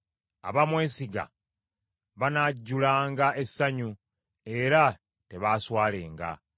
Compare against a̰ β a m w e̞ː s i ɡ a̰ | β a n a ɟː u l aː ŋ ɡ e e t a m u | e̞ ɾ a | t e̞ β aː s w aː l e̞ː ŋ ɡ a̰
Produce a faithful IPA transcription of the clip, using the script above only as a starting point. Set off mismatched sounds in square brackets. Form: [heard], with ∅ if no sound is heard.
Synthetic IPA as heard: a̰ β a m w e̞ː s i ɡ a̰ | β a n a ɟː u l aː ŋ ɡ [a] e [s] a [ɲ] u | e̞ ɾ a | t e̞ β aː s w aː l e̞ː ŋ ɡ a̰